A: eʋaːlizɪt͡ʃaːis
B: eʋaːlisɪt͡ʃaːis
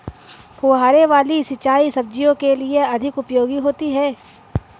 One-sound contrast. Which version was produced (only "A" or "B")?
B